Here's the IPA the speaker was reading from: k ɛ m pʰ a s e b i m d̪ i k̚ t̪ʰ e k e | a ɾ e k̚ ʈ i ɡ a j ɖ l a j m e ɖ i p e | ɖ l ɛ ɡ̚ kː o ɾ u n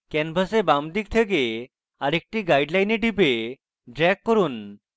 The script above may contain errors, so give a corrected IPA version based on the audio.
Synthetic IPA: k ɛ n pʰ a s e b a m d̪ i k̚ t̪ʰ e k e | a ɾ e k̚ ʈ i ɡ a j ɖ l a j n e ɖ i p e | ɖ ɾ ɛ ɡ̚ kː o ɾ u n